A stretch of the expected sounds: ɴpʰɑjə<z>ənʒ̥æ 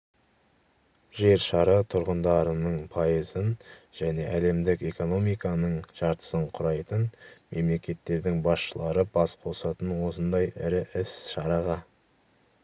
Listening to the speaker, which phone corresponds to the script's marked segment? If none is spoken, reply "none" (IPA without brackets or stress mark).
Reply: z